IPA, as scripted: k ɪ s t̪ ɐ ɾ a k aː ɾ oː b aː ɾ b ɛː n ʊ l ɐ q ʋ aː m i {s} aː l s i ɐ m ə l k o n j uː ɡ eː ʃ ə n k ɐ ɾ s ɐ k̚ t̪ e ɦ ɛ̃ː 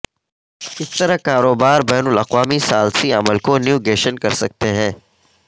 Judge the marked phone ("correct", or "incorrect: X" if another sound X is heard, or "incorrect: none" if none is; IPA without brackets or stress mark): correct